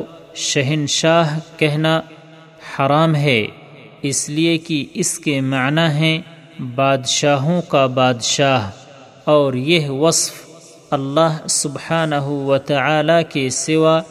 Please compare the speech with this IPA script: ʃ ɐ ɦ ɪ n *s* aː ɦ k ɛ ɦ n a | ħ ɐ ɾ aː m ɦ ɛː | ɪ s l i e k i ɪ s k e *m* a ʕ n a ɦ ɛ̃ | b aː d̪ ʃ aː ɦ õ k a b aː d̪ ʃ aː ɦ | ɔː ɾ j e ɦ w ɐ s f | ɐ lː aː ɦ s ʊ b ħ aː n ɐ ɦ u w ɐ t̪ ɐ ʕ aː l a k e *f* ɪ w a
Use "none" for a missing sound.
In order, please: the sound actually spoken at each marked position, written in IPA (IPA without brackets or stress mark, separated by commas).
ʃ, m, s